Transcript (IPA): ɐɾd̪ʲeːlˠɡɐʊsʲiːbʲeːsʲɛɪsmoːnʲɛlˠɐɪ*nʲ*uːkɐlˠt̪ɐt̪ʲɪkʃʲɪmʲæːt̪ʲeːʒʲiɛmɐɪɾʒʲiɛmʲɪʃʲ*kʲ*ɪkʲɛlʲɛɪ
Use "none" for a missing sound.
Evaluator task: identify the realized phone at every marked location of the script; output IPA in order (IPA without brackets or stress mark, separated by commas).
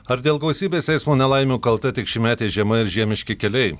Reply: mʲ, kʲ